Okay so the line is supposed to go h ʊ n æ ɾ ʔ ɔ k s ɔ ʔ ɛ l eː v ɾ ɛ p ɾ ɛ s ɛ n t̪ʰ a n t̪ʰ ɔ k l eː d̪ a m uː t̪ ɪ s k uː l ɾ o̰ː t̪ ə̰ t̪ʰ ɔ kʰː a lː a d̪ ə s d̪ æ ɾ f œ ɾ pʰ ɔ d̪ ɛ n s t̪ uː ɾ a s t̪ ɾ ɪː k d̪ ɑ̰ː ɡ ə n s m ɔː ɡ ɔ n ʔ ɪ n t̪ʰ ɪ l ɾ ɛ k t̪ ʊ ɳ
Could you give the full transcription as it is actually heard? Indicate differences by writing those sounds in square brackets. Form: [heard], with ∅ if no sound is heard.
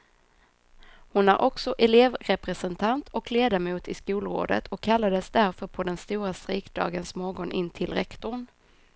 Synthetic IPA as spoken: h ʊ n æ ɾ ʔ ɔ k s ɔ ʔ ɛ l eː v ɾ ɛ p ɾ ɛ s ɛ n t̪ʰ a n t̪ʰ ɔ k l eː d̪ a m uː t̪ ɪ s k uː l ɾ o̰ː [d̪] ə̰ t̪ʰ ɔ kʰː a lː a d̪ ə s d̪ æ ɾ f œ ɾ pʰ ɔ d̪ ɛ n s t̪ uː ɾ a s t̪ ɾ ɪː k d̪ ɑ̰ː ɡ ə n s m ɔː ɡ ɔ n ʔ ɪ n t̪ʰ ɪ l ɾ ɛ k t̪ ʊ ɳ